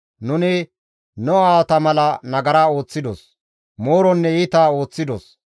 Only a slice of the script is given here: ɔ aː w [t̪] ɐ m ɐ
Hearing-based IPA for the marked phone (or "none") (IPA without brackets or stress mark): t̪